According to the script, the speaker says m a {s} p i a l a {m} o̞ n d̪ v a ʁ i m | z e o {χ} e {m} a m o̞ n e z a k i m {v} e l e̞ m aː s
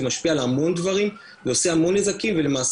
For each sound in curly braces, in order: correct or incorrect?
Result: incorrect: ʃ, correct, incorrect: s, incorrect: none, correct

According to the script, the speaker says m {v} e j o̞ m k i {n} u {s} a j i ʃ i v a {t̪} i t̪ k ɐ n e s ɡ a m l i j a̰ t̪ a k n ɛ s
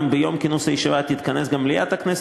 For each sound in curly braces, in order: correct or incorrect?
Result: incorrect: b, correct, correct, correct

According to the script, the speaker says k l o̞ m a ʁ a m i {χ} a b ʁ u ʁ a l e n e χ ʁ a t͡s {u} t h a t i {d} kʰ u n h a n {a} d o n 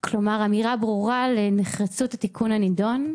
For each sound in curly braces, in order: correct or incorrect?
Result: incorrect: ʁ, correct, incorrect: none, incorrect: i

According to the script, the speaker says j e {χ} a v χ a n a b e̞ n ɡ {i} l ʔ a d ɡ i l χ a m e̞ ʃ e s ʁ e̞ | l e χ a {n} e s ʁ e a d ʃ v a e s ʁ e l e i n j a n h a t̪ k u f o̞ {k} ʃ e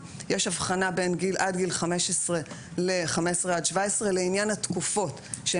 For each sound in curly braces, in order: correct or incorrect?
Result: incorrect: ʃ, correct, incorrect: m, incorrect: t

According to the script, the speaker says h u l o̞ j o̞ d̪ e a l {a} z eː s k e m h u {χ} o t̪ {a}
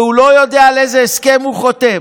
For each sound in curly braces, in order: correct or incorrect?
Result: incorrect: e, correct, incorrect: e

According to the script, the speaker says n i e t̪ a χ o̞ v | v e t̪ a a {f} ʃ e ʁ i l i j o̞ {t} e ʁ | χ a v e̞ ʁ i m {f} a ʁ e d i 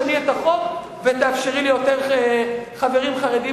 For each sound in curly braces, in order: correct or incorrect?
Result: correct, correct, incorrect: χ

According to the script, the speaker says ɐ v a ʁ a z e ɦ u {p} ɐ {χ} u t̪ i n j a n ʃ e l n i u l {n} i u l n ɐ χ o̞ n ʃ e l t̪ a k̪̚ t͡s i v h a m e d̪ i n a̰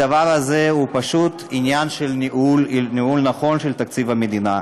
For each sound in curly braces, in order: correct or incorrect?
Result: correct, incorrect: ʃ, correct

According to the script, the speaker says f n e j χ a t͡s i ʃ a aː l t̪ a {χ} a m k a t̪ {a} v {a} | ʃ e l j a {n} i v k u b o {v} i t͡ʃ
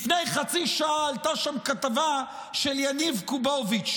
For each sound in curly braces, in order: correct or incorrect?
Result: incorrect: ʃ, correct, correct, correct, correct

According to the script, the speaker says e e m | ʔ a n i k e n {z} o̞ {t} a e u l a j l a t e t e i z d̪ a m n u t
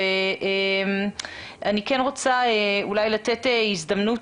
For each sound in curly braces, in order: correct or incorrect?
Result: incorrect: ʁ, incorrect: t͡s

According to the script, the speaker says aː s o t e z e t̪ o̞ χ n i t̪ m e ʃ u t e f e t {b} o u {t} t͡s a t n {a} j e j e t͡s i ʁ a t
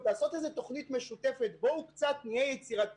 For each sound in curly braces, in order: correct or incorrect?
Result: correct, incorrect: k, incorrect: i

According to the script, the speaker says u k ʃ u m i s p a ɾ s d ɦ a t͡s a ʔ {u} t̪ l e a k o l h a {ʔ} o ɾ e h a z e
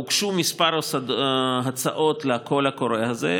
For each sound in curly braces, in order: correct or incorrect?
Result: incorrect: o, incorrect: k

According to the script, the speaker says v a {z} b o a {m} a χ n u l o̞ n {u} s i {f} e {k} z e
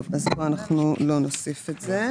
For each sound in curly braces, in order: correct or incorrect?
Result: correct, incorrect: n, incorrect: o, correct, incorrect: t

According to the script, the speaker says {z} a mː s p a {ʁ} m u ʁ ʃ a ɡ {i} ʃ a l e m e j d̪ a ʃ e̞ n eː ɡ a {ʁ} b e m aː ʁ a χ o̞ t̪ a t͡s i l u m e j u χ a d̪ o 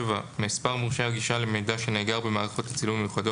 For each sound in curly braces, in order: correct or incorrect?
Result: incorrect: v, correct, correct, correct

